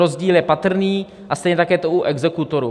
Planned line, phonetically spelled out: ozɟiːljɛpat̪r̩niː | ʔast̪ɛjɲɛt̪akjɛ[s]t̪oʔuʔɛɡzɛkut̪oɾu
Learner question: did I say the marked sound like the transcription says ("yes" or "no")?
no